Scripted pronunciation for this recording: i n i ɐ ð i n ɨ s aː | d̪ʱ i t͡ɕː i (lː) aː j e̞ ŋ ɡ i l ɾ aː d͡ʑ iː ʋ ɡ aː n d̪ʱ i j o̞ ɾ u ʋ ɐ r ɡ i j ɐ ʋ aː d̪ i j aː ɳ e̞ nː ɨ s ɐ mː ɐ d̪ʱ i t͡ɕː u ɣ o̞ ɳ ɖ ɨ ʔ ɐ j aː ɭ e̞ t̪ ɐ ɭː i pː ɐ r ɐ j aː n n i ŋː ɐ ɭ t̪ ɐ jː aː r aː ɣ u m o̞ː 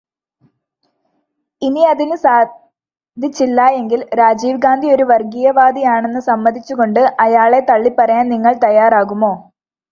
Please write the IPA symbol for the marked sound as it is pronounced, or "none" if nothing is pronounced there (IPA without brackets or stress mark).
lː